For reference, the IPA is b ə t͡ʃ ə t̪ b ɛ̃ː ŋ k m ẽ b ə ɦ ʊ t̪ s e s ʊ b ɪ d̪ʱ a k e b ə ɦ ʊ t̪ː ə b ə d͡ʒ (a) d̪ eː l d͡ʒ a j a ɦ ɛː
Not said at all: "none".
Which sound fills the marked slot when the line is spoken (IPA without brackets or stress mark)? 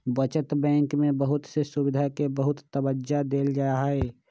a